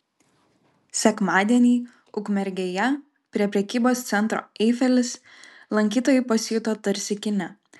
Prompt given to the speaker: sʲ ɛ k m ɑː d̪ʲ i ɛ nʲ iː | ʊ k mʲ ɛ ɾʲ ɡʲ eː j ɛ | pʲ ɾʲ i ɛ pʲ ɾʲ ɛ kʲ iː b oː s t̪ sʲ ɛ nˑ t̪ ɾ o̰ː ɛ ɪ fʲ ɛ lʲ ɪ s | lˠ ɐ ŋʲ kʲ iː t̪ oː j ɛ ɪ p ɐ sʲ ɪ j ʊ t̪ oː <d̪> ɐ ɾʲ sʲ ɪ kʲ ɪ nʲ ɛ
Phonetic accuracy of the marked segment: incorrect: t̪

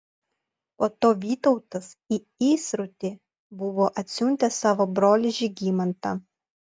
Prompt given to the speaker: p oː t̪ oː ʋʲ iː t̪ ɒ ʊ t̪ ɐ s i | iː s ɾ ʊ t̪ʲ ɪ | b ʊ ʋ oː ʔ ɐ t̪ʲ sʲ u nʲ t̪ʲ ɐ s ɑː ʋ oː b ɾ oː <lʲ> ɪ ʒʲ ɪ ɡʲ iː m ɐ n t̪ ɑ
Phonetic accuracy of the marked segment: correct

